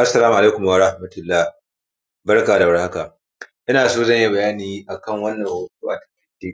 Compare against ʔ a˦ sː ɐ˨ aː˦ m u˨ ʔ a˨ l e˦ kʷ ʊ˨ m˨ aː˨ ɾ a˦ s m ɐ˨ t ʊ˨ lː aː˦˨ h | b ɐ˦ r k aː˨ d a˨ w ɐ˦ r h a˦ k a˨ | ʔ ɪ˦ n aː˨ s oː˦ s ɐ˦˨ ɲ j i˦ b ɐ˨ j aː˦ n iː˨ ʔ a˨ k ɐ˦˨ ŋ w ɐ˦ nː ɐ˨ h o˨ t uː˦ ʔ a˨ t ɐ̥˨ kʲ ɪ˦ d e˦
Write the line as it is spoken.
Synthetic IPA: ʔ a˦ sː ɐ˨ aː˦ m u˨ ʔ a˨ l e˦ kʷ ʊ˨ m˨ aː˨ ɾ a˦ h m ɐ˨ t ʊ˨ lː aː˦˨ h | b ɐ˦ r k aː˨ d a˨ w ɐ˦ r h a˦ k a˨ | ʔ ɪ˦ n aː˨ s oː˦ z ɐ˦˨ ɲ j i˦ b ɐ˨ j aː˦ n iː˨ ʔ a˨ k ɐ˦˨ ŋ w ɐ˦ nː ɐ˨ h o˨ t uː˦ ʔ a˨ t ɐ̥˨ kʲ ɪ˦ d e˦

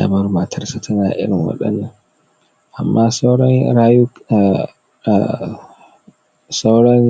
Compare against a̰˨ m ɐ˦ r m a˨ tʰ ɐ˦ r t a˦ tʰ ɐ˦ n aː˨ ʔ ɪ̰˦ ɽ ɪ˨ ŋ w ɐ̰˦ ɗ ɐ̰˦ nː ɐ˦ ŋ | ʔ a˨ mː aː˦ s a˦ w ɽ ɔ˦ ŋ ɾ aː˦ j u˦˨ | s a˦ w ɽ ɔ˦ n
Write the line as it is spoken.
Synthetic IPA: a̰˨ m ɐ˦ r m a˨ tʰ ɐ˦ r s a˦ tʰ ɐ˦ n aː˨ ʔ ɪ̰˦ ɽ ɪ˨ ŋ w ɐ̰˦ ɗ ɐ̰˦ nː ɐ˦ ŋ | ʔ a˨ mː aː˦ s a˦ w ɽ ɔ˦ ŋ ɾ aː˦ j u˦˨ | s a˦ w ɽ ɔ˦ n

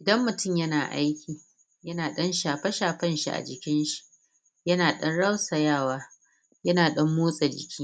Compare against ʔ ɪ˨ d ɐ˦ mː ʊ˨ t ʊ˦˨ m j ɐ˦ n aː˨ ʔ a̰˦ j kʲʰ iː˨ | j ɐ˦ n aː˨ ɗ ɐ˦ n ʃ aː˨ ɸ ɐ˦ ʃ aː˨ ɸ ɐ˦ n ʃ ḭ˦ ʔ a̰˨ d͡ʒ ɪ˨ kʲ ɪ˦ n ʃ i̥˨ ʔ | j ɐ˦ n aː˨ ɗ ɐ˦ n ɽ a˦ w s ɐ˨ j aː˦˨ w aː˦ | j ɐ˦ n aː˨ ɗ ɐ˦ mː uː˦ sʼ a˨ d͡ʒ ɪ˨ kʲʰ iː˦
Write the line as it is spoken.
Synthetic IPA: ʔ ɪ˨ d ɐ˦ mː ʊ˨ t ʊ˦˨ m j ɐ˦ n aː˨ ʔ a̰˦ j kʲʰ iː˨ | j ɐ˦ n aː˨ ɗ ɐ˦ n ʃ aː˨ ɸ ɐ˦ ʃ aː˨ ɸ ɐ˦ n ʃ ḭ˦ ʔ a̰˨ d͡ʒ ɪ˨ kʲ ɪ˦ n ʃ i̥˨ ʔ | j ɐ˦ n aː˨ ɗ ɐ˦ n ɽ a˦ w s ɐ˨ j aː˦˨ w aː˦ | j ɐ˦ n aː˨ ɗ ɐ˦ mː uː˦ sʼ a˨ d͡ʒ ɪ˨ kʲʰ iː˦

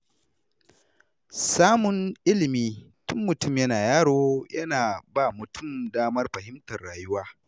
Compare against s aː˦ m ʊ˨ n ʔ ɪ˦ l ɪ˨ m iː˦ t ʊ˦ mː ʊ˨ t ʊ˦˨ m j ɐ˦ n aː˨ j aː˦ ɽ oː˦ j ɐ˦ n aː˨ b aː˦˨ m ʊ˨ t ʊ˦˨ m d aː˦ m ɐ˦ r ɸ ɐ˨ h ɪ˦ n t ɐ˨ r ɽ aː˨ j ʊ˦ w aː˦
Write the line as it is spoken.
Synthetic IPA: s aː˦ m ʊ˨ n ʔ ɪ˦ l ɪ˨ m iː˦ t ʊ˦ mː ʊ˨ t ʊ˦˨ m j ɐ˦ n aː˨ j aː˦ ɽ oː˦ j ɐ˦ n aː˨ b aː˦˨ m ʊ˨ t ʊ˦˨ m d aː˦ m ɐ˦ r ɸ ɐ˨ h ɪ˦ m t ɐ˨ r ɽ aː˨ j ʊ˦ w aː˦

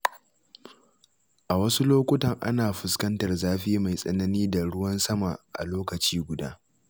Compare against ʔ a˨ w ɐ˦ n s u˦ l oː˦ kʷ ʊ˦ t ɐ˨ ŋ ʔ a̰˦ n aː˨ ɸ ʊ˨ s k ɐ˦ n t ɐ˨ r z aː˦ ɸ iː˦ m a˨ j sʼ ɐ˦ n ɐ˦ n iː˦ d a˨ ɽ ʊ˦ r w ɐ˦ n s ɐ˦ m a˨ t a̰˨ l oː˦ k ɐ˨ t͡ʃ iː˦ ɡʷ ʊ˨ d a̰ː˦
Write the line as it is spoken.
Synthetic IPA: ʔ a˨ w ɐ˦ s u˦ l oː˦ kʷ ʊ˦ t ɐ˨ ŋ ʔ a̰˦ n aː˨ ɸ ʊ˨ s k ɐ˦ n t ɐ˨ r z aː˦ ɸ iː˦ m a˨ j sʼ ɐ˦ n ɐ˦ n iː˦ d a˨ ɽ ʊ˦ w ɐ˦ n s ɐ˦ m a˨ ʔ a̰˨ l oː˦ k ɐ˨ t͡ʃ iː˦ ɡʷ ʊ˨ d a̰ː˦

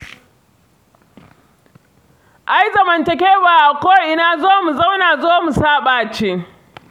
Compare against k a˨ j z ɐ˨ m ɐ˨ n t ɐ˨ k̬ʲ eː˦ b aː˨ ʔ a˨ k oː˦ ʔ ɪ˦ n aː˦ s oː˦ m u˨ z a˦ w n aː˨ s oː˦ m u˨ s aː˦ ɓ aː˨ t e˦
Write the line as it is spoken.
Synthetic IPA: ʔ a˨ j z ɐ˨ m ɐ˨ n t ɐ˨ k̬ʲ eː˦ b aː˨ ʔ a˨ k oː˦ ʔ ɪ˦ n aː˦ z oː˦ m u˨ z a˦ w n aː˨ z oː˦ m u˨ s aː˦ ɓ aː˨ t͡ʃ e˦

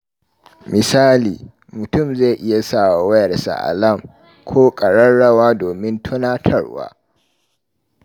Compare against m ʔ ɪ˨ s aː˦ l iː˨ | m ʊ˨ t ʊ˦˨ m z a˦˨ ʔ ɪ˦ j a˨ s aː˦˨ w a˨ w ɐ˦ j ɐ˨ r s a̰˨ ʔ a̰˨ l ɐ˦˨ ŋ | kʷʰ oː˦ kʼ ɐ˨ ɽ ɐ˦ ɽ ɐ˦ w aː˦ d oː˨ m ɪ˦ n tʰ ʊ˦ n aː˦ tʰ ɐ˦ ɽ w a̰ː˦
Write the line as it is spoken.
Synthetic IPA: m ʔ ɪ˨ s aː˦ l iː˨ | m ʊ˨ t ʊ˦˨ m z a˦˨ ʔ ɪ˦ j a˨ s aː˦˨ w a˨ w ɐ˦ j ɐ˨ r s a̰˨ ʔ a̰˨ l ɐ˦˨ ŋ | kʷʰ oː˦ kʼ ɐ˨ ɽ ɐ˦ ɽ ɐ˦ w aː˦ d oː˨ m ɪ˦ n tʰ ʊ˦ n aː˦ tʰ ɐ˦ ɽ w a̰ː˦

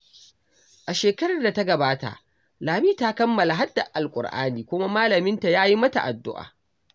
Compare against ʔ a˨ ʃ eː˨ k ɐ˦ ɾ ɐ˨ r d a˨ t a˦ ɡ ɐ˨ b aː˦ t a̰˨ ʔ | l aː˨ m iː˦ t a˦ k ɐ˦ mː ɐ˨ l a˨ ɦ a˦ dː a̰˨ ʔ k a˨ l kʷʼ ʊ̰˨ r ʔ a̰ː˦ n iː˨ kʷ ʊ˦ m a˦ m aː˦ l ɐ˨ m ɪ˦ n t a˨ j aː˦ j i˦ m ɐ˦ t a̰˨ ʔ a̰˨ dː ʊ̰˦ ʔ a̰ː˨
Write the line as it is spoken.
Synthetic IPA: ʔ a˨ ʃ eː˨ k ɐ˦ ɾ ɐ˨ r d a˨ t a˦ ɡ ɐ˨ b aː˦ t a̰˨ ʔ | l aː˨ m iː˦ t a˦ k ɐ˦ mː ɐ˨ l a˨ ɦ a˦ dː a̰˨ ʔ ʔ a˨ l kʷʼ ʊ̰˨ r ʔ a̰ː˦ n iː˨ kʷ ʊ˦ m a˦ m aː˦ l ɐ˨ m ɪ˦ n t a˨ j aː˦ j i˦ m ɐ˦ t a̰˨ ʔ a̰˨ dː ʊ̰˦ ʔ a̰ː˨

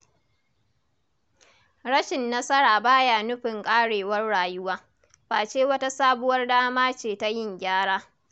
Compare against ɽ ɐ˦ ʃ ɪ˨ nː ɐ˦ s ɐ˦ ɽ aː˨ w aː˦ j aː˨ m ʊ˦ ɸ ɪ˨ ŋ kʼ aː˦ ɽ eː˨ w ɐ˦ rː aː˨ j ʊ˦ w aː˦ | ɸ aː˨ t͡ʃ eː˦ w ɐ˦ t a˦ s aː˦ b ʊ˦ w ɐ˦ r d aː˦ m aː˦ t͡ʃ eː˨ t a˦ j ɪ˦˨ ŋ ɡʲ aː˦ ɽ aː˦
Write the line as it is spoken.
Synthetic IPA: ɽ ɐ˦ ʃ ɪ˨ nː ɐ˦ s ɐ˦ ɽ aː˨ b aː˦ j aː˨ n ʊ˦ ɸ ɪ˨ ŋ kʼ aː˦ ɽ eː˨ w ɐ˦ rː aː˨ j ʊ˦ w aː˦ | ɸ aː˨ t͡ʃ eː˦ w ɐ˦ t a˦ s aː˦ b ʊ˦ w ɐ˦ r d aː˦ m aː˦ t͡ʃ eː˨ t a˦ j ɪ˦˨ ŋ ɡʲ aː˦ ɽ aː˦

